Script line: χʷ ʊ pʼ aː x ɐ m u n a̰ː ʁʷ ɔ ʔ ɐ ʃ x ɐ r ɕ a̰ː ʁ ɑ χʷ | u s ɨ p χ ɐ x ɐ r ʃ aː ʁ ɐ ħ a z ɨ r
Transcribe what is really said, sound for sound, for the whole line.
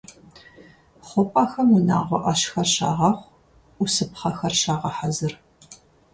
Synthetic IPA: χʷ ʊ pʼ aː x ɐ m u n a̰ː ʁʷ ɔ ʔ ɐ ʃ x ɐ r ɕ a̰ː ʁ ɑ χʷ | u s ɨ p χ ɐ x ɐ r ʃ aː ʁ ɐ ħ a z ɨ r